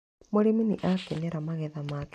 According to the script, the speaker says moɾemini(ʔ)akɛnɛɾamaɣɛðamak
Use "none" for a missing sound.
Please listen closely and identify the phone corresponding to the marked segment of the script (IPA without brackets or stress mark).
ʔ